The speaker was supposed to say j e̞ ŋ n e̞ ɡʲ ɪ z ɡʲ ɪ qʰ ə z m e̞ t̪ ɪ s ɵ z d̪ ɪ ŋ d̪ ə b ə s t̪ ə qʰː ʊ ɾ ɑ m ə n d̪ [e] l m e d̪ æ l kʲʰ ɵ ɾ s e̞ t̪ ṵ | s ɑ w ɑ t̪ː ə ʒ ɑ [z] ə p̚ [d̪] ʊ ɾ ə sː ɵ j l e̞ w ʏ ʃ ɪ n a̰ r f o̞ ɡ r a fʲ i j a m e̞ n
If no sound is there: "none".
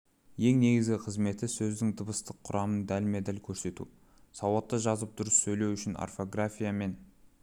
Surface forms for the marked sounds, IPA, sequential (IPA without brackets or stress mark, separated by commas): æ, z, d̪